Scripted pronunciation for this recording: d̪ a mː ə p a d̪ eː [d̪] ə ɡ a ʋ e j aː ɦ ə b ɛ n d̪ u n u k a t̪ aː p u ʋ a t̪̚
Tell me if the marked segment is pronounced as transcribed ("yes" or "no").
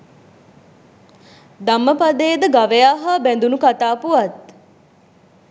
yes